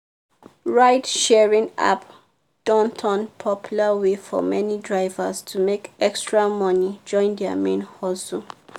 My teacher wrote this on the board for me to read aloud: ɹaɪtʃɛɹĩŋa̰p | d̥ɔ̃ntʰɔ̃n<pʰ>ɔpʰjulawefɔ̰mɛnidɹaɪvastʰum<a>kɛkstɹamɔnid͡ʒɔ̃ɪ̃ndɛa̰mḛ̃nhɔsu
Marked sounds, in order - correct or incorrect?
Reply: correct, incorrect: e

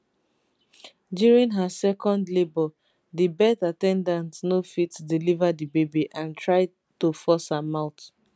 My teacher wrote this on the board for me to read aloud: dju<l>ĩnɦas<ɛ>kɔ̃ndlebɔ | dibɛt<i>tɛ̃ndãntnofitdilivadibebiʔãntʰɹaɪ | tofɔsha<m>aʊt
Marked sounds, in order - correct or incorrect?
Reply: incorrect: ɹ, correct, incorrect: a, correct

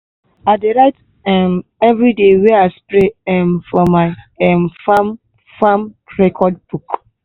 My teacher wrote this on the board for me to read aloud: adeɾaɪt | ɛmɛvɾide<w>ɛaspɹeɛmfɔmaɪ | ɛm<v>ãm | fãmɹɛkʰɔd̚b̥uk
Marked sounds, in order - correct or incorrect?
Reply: correct, incorrect: f

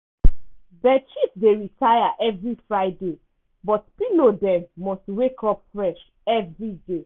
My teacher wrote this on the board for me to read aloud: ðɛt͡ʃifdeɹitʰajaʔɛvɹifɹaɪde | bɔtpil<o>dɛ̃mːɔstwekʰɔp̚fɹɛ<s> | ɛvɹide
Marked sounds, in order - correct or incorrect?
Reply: correct, incorrect: ʃ

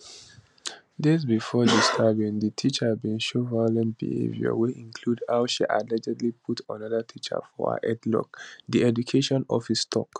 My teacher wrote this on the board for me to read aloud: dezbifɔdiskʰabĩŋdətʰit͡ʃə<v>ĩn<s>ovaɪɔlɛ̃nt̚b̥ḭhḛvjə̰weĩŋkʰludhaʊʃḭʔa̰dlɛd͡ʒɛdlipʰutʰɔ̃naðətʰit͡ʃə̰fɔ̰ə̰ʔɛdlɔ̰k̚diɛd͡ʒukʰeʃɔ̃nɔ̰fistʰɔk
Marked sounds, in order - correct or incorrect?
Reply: incorrect: b, incorrect: ʃ

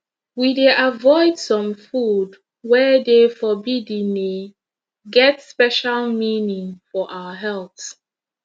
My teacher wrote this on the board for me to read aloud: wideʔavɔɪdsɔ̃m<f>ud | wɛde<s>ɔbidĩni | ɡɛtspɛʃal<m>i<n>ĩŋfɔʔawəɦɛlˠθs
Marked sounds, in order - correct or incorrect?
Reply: correct, incorrect: f, correct, correct

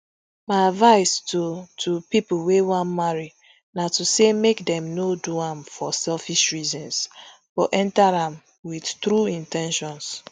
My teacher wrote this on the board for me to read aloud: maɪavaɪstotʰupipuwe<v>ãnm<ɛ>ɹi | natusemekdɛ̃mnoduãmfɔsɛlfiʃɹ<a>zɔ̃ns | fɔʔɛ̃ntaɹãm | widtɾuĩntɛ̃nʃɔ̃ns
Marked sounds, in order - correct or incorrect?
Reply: incorrect: w, incorrect: a, incorrect: i

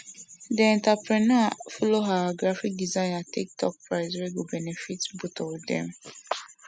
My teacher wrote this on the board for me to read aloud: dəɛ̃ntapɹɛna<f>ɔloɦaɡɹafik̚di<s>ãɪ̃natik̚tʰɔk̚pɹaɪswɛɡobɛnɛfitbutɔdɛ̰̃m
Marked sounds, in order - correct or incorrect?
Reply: correct, incorrect: z

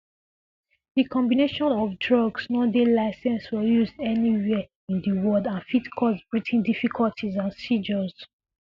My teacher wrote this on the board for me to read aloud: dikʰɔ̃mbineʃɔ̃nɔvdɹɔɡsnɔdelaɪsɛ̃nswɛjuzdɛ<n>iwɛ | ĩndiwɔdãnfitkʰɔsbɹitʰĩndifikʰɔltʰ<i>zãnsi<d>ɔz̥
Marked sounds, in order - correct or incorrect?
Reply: correct, correct, incorrect: d͡ʒ

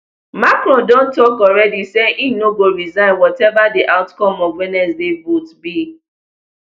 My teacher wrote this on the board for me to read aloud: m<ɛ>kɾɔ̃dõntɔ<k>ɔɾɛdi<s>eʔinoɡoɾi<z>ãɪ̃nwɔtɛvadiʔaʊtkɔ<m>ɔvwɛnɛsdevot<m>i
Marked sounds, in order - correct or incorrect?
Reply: incorrect: a, correct, correct, correct, correct, incorrect: b

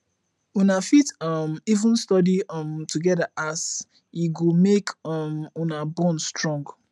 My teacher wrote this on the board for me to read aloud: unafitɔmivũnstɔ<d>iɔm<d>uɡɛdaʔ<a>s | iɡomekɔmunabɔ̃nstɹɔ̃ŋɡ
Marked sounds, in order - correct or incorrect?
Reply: correct, incorrect: t, correct

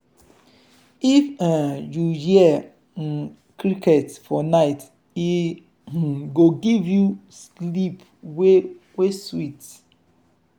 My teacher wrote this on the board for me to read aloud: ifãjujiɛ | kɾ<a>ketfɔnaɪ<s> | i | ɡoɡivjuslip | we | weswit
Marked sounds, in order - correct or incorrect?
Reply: incorrect: i, incorrect: t

